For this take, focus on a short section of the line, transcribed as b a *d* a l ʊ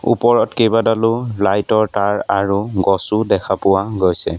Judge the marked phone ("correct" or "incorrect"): correct